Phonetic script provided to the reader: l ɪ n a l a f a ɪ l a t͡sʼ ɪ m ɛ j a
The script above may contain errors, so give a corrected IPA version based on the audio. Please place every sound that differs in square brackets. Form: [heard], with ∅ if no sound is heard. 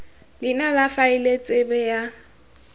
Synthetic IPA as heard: l ɪ n a l a f a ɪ l [e] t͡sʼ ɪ [b] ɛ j a